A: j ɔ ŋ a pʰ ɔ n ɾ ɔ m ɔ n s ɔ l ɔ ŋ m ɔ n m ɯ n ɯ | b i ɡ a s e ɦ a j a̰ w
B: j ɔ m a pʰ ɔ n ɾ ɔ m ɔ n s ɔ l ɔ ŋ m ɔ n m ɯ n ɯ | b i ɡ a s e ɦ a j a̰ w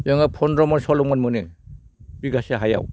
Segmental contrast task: A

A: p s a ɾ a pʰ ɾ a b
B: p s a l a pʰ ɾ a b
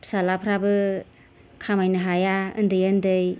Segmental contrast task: B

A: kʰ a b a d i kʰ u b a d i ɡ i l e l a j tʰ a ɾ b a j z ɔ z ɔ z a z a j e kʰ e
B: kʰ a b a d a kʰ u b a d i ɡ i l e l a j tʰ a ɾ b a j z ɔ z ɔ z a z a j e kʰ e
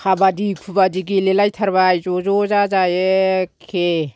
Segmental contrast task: A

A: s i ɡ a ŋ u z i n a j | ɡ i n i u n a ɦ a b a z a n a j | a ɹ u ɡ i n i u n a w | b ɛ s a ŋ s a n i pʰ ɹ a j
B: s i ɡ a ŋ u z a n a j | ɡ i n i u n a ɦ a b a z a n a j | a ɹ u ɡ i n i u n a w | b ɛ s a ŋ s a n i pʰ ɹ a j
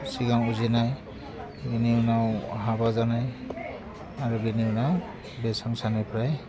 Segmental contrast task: A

